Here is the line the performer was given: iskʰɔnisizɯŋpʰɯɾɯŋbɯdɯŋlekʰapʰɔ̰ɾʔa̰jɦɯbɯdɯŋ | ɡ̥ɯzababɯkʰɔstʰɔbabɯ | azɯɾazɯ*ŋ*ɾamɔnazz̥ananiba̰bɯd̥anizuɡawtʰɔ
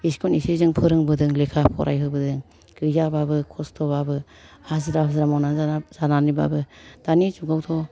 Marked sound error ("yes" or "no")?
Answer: yes